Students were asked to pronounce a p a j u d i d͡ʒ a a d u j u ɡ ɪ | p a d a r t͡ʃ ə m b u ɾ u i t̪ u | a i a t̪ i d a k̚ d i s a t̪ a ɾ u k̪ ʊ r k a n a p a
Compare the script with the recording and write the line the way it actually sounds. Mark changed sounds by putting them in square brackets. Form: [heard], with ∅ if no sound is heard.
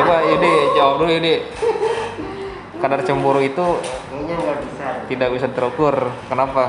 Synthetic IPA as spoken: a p a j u d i d͡ʒ a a d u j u [d] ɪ | [k] a d a r t͡ʃ ə m b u ɾ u i t̪ u | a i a t̪ i d a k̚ [b] i s a t̪ [ə] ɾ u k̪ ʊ r k [ə] n a p a